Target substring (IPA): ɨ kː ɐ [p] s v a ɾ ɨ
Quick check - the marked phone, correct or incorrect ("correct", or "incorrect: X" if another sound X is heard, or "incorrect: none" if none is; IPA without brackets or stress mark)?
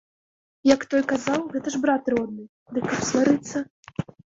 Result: correct